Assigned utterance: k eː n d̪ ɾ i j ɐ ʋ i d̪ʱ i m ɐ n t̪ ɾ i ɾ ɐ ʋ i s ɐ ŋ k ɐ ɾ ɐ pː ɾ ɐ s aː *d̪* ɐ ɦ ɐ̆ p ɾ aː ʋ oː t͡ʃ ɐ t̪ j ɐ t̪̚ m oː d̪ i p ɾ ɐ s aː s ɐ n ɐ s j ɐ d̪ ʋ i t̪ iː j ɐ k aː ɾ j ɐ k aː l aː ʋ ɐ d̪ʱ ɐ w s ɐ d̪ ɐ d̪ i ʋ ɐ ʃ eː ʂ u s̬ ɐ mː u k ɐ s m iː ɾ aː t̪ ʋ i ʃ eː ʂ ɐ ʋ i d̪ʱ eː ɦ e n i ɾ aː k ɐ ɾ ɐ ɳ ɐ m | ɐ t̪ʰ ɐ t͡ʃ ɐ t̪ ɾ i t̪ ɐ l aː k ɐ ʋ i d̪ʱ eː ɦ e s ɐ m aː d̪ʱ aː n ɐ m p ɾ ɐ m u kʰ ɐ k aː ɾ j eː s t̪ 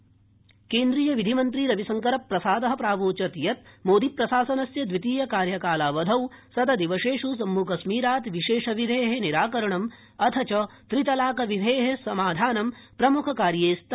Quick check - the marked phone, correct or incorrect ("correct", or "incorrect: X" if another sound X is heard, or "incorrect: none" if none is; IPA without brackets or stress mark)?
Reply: correct